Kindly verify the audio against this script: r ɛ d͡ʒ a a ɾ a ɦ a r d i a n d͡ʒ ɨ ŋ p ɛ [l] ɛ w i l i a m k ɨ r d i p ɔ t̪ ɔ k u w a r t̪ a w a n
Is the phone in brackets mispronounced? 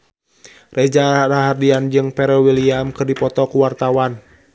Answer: yes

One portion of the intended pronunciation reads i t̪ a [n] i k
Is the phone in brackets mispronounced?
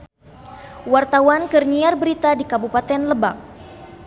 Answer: yes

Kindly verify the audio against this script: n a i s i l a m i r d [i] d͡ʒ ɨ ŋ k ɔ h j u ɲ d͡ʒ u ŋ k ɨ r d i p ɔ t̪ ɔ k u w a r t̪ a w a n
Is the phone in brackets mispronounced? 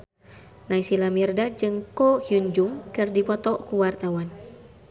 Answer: yes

